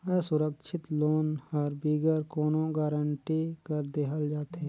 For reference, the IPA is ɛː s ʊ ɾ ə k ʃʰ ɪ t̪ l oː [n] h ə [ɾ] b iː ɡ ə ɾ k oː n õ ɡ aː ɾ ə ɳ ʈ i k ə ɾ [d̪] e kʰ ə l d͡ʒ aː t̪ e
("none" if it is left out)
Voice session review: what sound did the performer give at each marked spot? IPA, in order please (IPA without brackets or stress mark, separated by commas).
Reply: n, ɾ, d̪